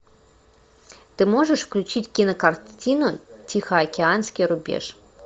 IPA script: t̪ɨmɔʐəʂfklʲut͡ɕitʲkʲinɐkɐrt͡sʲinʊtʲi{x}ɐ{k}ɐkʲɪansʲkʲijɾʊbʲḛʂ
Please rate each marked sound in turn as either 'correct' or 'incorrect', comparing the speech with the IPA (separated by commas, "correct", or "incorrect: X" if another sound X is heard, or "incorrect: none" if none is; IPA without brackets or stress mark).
correct, incorrect: none